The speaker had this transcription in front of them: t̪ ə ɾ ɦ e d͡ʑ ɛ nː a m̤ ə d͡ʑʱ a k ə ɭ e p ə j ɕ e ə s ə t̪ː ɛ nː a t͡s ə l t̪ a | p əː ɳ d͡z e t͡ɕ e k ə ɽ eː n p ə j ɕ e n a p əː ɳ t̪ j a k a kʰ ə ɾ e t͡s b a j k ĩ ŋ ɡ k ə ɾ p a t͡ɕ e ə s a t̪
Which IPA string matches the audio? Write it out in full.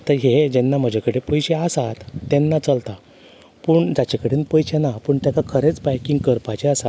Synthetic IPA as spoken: t̪ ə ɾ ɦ e d͡ʑ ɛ nː a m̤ ə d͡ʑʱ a k ə ɽ e p ə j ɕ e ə s a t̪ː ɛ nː a t͡s ə l t̪ a | p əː ɳ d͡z a t͡ɕ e k ə ɽ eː n p ə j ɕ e n a p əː ɳ t̪ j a k a kʰ ə ɾ e t͡s b a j k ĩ ŋ ɡ k ə ɾ p a t͡ɕ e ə s a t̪